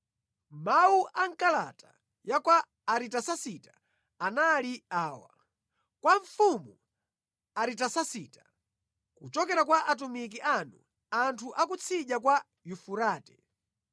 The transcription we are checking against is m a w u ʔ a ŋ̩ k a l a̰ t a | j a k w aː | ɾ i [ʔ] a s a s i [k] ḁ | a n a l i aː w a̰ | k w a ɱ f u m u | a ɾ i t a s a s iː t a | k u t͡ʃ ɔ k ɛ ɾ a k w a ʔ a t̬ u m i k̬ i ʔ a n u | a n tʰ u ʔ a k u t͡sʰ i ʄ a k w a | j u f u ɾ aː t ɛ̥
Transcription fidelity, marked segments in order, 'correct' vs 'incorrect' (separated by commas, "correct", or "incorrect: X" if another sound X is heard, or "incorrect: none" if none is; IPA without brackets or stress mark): incorrect: t, incorrect: t